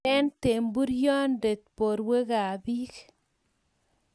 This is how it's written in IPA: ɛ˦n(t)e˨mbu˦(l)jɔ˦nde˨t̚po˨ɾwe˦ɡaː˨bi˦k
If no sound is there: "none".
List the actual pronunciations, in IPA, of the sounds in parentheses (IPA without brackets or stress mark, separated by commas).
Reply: t, ɾ